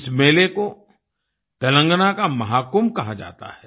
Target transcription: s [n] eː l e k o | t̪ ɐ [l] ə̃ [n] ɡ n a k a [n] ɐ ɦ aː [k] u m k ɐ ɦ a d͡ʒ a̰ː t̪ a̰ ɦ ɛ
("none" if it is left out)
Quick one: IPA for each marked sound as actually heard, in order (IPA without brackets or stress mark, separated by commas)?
m, l, ŋ, m, k